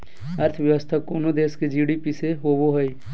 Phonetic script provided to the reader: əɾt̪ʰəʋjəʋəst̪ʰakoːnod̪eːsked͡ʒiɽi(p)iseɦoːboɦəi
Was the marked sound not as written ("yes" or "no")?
no